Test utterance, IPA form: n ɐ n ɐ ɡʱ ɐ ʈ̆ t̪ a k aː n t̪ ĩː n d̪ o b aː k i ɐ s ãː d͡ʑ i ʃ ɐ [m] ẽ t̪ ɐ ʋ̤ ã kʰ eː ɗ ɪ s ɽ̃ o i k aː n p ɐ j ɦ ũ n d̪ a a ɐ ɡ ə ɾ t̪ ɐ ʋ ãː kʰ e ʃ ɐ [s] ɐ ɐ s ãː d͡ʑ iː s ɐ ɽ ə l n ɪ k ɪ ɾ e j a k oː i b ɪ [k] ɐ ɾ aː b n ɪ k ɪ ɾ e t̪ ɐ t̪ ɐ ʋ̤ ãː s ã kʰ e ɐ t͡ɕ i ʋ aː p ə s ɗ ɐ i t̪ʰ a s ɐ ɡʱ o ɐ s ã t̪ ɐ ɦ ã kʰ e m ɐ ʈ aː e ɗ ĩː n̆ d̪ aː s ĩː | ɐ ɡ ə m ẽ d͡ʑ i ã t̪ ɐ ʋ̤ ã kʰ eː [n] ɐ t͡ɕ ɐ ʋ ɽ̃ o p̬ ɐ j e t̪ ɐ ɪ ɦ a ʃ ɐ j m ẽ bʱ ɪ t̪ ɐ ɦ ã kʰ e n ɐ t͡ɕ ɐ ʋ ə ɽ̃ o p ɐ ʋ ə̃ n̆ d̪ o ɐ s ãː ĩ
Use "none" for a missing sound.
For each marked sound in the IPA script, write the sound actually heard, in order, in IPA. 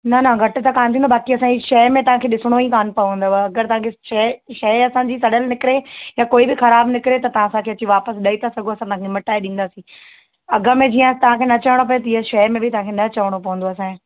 m, ʃ, x, n

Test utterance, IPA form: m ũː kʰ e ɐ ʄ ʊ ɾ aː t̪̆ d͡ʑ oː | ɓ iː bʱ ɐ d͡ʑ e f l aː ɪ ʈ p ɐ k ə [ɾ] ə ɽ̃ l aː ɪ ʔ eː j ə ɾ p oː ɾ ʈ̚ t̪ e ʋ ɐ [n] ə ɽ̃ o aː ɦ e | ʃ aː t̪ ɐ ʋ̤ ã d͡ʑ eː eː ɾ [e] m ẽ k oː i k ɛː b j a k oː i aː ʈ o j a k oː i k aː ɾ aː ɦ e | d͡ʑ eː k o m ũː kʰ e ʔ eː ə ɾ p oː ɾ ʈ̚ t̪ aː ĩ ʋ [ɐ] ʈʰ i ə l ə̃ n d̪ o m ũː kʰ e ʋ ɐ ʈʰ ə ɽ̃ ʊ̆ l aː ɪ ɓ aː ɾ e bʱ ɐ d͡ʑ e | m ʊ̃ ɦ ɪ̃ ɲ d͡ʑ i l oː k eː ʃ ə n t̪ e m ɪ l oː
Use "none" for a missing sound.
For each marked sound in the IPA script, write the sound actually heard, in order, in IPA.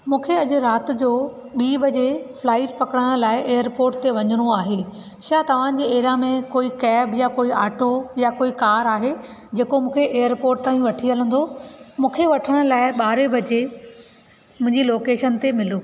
ɽ, ɲ, a, ɐ

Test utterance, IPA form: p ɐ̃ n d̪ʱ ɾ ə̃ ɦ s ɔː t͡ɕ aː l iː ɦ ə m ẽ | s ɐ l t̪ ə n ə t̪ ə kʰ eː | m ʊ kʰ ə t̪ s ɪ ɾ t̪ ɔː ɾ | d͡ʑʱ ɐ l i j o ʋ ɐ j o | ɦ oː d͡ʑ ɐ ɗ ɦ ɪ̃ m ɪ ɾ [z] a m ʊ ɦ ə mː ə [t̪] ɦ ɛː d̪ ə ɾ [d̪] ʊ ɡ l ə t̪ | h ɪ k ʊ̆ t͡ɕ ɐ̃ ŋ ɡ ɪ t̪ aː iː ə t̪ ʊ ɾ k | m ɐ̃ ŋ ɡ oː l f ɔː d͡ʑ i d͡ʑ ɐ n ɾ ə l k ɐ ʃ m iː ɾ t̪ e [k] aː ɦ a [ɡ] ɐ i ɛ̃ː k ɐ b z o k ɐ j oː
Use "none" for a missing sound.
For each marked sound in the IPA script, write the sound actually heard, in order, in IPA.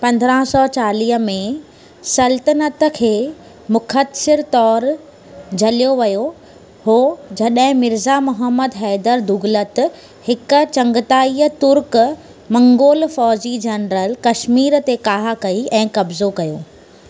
z, d̪, d̪, k, k

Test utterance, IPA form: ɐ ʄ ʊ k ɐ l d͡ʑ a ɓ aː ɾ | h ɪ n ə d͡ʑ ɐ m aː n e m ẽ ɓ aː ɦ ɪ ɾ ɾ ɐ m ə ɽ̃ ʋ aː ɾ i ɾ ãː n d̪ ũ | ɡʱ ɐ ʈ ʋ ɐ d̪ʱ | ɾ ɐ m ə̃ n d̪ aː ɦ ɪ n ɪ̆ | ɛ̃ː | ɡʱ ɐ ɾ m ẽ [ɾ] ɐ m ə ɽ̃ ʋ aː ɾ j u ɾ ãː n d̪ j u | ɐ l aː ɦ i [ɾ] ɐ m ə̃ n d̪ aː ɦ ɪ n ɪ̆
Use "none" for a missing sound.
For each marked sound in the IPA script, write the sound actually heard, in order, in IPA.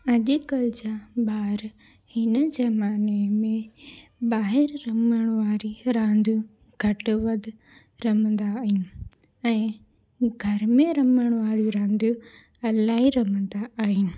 ɾ, ɾ

